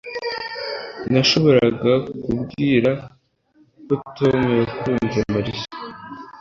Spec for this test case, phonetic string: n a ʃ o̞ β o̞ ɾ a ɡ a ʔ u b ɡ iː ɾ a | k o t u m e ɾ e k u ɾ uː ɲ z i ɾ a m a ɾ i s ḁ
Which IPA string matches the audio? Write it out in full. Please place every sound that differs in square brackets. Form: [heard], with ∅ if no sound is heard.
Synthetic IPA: n a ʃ o̞ β o̞ ɾ a ɡ a [k] u b ɡ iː ɾ a | k o t [o] m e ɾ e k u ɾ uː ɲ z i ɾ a m a ɾ i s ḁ